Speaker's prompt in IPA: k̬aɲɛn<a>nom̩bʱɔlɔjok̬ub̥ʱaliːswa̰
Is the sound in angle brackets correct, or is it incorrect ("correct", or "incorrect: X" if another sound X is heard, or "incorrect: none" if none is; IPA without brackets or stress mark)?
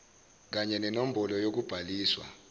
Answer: incorrect: ɛ